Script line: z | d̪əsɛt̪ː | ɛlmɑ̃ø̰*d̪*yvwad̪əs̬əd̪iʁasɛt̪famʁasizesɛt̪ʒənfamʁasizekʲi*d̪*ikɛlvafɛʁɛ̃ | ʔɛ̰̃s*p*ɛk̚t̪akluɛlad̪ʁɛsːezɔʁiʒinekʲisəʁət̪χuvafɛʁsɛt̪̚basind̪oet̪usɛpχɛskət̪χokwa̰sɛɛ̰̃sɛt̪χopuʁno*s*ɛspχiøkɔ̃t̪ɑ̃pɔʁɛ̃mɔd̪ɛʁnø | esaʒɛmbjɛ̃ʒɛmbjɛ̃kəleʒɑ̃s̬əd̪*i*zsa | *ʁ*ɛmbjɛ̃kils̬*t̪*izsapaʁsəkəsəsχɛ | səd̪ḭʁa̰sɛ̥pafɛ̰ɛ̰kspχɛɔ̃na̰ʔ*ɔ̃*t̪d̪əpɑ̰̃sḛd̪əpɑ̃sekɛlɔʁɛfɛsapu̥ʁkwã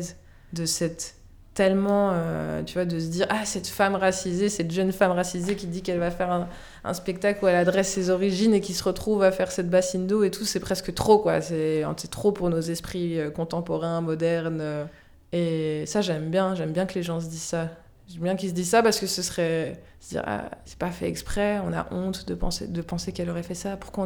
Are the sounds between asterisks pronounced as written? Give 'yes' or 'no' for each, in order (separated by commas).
no, yes, yes, no, yes, no, no, yes